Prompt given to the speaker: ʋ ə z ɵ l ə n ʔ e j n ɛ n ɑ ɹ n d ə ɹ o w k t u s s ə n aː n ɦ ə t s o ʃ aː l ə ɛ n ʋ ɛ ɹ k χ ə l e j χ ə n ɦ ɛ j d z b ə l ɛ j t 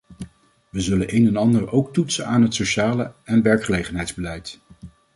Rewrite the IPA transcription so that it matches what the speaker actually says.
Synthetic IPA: ʋ ə z ɵ l ə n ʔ e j n ɛ n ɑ n d ə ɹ o w k t u t s ə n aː n ɦ ə t s o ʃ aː l ə ɛ n ʋ ɛ ɹ k χ ə l e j χ ə n ɦ ɛ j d z b ə l ɛ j t